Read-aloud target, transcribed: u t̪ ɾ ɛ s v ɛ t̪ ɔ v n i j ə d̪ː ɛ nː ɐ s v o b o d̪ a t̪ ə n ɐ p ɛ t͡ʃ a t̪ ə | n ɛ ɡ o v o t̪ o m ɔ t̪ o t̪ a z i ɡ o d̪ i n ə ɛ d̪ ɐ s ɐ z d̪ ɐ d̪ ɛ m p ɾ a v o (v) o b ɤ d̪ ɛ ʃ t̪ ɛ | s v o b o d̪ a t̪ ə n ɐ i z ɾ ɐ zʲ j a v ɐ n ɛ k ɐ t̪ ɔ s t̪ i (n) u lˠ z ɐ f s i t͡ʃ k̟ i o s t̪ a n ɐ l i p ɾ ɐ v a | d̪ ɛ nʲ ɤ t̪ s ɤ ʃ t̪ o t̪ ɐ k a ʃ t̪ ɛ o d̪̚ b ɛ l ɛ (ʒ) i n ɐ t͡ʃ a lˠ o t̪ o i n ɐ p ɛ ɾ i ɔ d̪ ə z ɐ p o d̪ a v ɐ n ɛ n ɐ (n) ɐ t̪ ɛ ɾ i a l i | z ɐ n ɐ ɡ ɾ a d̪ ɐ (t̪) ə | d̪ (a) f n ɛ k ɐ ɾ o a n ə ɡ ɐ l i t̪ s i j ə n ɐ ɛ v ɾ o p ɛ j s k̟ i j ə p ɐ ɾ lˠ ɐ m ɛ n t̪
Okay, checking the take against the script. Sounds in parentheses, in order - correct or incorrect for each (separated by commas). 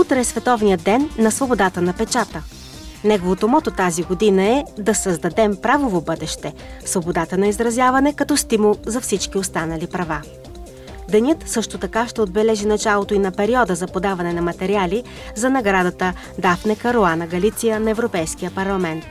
correct, incorrect, correct, incorrect, correct, correct